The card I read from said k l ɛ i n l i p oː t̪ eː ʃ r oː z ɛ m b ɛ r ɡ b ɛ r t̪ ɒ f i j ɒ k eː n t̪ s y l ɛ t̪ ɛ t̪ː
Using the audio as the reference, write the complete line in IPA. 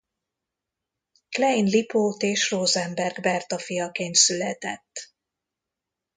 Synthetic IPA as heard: k l ɛ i n l i p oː t̪ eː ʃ r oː z ɛ m b ɛ r ɡ b ɛ r t̪ ɒ f i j ɒ k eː n t̪ s y l ɛ t̪ ɛ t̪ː